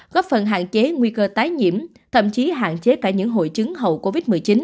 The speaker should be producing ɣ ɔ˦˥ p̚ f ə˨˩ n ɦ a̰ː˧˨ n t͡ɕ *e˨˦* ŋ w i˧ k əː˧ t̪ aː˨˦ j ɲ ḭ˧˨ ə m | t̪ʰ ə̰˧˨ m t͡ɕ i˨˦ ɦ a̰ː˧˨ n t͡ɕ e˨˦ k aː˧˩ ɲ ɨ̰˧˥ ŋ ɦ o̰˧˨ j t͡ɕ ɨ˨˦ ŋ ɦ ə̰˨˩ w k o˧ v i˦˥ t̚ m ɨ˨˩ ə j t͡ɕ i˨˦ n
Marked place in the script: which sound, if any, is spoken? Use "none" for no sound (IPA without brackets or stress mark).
e˨˦